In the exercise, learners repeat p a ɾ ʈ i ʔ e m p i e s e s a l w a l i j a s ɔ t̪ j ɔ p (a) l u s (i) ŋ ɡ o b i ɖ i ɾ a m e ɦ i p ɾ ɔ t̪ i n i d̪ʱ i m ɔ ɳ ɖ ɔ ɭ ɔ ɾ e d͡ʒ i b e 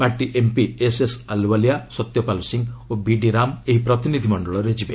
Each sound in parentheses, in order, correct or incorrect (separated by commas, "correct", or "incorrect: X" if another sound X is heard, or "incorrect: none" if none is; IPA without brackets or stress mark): correct, correct